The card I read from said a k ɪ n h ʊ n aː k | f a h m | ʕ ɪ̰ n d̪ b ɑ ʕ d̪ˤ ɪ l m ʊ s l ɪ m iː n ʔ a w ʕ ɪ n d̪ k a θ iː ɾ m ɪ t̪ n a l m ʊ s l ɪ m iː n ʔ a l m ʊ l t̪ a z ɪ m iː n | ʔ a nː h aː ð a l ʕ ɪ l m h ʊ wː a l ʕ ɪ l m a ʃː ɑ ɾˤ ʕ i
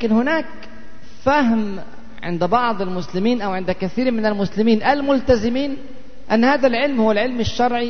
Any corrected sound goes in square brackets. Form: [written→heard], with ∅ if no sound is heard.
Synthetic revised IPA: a k ɪ n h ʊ n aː k | f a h m | ʕ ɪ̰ n d̪ b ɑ ʕ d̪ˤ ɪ l m ʊ s l ɪ m iː n ʔ a w ʕ ɪ n d̪ k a θ iː ɾ m ɪ [t̪→∅] n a l m ʊ s l ɪ m iː n ʔ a l m ʊ l t̪ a z ɪ m iː n | ʔ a nː h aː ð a l ʕ ɪ l m h ʊ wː a l ʕ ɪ l m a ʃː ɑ ɾˤ ʕ i